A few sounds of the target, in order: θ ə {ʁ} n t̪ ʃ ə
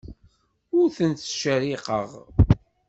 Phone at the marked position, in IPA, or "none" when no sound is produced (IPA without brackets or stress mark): none